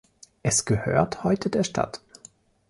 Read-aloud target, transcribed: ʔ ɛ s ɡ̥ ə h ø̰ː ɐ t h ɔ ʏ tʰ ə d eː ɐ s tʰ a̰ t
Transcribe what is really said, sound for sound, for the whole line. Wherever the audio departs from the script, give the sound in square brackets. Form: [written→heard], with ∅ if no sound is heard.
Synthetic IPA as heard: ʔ ɛ s ɡ̥ ə h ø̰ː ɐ t h ɔ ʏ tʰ ə d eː ɐ [s→ʃ] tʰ a̰ t